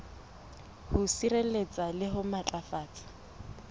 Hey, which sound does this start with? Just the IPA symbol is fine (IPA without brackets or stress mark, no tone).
h